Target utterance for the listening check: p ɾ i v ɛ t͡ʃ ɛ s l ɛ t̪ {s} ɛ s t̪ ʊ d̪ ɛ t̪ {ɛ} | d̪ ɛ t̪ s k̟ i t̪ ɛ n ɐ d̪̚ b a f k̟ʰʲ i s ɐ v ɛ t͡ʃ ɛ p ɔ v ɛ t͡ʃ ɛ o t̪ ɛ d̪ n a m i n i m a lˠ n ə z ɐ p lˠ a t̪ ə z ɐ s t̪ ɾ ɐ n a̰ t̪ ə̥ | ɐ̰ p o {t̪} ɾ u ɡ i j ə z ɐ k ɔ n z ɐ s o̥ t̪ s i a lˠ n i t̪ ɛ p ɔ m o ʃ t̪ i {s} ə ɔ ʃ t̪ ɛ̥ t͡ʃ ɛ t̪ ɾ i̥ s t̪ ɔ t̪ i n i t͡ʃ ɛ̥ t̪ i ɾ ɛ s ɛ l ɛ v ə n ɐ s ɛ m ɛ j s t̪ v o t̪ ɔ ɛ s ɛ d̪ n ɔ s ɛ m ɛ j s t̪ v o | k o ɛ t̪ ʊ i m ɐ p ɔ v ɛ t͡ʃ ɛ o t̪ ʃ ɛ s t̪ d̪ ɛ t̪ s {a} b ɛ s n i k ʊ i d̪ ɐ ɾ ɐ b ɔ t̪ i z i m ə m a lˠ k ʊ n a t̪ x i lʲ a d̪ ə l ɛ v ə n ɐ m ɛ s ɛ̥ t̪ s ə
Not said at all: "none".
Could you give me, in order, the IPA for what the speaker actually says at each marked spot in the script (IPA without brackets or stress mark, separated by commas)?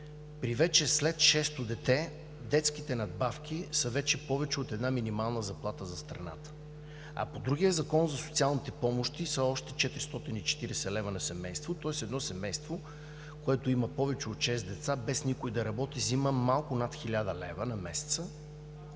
ʃ, ɛ, d̪, s, a